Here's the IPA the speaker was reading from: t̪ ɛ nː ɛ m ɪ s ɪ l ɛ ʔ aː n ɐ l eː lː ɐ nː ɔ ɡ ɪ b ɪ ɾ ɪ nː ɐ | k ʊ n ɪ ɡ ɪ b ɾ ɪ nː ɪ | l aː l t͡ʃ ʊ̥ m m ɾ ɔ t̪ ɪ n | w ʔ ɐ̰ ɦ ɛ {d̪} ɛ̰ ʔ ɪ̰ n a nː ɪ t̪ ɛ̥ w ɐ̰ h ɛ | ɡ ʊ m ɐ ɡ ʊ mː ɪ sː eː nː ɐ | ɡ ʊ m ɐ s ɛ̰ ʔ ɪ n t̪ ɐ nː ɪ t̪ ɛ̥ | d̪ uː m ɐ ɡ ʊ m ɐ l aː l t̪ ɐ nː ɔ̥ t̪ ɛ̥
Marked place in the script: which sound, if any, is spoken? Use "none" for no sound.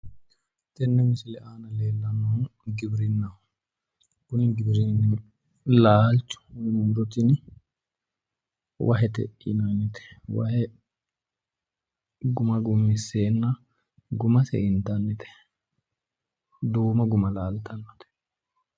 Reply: t̪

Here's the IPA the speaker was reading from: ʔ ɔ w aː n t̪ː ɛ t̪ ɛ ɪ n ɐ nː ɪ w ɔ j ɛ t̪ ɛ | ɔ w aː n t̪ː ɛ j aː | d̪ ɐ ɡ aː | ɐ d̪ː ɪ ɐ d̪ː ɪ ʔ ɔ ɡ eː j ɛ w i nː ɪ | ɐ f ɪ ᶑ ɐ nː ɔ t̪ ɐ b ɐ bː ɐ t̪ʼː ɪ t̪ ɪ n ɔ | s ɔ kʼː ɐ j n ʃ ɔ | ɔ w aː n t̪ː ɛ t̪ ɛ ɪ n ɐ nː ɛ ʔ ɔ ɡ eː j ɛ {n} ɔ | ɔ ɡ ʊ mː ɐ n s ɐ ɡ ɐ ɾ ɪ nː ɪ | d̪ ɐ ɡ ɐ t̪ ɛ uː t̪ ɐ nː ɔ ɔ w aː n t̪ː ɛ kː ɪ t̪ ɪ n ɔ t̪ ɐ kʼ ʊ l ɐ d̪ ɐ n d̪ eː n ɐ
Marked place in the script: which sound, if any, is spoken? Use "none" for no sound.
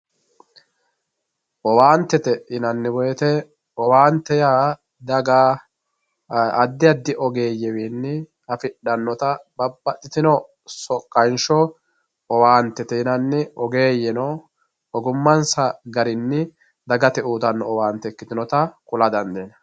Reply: n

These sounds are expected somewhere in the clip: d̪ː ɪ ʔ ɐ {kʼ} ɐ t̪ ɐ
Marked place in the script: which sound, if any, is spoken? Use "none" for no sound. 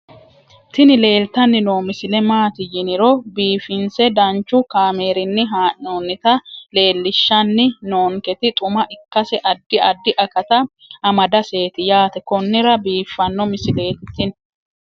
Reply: k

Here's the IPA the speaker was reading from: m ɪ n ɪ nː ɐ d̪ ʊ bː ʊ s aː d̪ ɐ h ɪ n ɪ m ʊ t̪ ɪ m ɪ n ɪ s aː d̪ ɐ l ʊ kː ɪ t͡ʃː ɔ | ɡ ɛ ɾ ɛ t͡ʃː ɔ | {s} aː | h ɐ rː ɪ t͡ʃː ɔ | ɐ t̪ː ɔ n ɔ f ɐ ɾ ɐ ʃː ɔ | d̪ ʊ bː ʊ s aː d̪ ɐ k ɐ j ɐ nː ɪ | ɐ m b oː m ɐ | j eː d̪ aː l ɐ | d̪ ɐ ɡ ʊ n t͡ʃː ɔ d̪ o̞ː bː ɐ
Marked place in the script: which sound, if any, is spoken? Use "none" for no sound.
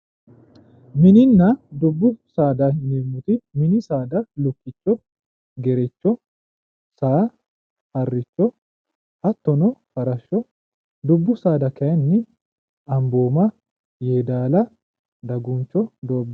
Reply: s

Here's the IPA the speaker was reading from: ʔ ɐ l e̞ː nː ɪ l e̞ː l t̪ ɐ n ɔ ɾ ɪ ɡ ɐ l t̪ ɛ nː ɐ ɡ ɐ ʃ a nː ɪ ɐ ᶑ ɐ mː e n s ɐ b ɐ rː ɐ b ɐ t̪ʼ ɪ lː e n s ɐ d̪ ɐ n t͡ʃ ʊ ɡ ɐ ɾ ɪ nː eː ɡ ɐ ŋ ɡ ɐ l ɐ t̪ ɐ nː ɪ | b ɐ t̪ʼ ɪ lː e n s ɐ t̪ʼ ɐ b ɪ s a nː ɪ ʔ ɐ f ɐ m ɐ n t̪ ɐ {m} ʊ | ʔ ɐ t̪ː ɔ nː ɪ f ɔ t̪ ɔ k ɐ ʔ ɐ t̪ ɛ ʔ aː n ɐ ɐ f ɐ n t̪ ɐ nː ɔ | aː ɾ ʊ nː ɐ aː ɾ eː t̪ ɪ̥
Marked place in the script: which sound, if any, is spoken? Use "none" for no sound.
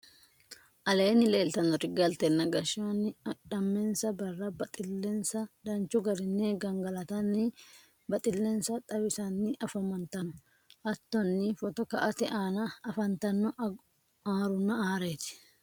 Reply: n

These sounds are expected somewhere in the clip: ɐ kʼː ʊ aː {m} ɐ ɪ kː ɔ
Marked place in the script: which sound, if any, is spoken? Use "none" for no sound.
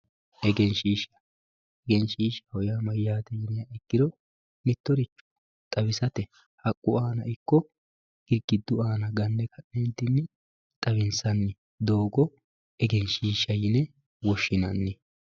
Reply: n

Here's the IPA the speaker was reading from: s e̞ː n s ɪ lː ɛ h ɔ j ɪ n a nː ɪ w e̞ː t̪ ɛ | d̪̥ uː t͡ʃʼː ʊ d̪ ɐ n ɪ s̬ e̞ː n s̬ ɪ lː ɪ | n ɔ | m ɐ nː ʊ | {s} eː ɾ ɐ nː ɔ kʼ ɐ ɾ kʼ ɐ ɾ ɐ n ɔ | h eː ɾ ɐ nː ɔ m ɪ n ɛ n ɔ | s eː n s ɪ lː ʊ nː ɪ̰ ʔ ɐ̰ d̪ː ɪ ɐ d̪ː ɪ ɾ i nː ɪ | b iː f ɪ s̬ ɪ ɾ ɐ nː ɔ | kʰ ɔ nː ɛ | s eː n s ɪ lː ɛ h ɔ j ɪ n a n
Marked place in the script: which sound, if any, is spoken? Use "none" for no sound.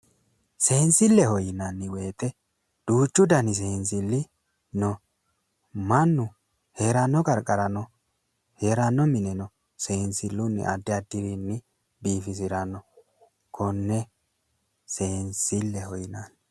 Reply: h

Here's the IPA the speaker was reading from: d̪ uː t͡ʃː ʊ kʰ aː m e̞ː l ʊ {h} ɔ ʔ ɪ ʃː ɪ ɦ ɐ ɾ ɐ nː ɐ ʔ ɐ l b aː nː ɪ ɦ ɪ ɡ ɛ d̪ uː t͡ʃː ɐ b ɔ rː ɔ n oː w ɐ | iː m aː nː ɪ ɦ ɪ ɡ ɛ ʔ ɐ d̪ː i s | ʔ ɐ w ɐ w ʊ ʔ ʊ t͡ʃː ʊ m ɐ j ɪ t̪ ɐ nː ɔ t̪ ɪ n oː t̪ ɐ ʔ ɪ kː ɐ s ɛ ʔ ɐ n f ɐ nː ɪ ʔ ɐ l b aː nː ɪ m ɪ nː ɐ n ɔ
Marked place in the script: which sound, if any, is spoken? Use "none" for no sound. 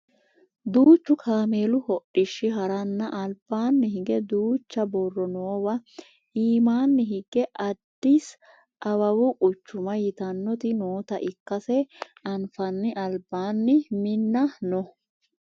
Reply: h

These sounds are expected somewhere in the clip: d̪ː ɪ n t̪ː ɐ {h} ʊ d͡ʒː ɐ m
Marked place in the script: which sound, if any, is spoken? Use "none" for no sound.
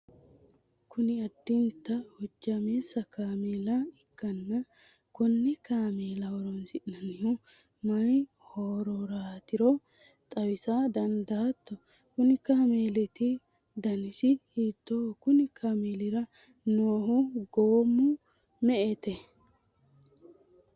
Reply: h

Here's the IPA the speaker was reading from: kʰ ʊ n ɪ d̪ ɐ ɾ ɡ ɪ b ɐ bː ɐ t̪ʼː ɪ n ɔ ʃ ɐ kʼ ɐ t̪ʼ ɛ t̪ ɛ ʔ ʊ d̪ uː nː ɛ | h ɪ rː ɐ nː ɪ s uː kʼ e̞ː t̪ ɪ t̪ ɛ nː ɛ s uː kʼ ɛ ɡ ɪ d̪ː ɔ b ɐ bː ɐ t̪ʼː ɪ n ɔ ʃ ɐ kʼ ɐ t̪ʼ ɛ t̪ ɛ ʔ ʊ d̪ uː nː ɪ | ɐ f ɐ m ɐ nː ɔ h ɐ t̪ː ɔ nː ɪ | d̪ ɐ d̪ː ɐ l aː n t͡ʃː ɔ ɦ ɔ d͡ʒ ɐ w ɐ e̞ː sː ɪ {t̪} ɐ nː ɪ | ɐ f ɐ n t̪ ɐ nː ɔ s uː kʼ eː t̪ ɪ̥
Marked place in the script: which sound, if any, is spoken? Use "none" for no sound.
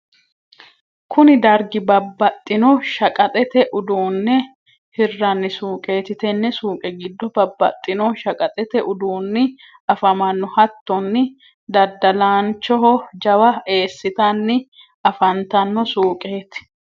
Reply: t̪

